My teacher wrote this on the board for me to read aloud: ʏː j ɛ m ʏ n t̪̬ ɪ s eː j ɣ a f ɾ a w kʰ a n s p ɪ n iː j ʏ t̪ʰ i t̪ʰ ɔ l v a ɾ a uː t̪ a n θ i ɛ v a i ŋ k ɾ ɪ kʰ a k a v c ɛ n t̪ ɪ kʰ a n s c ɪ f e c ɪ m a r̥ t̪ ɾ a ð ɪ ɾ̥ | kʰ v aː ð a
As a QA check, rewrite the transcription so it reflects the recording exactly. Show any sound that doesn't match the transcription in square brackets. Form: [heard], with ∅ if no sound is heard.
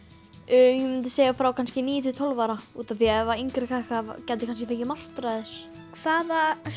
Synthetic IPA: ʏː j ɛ m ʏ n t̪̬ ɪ s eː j ɣ a f ɾ a w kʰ a n s [c] ɪ n iː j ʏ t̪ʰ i t̪ʰ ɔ l v a ɾ a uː t̪ a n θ i ɛ v a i ŋ k ɾ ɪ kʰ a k a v c ɛ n t̪ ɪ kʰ a n s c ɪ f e c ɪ m a r̥ t̪ ɾ a ð ɪ ɾ̥ | kʰ v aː ð a